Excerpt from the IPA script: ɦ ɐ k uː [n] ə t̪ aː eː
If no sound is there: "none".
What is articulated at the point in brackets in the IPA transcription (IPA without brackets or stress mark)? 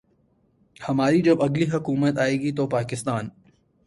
m